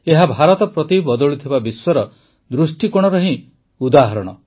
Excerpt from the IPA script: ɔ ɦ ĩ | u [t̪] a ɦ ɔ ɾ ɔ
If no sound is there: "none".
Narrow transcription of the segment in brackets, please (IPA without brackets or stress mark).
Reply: d̪